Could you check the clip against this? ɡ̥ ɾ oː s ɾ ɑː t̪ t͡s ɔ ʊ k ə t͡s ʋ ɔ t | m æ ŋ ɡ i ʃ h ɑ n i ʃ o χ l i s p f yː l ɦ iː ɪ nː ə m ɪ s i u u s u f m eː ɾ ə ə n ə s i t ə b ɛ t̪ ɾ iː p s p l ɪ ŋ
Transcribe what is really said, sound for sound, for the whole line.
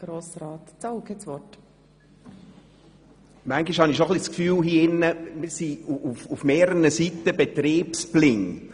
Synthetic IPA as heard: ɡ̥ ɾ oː s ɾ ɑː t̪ t͡s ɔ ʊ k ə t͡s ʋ ɔ t | m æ ŋ ɡ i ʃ h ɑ n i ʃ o χ l i s k f yː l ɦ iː ɪ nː ə m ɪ s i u u f u f m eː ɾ ə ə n ə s i t ə b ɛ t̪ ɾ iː p s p l ɪ ŋ